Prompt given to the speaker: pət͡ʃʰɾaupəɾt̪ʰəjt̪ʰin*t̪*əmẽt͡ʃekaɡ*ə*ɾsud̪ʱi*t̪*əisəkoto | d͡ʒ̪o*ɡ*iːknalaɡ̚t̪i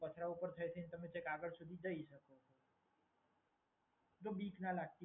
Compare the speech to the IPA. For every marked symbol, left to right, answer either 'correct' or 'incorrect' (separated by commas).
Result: correct, correct, incorrect, incorrect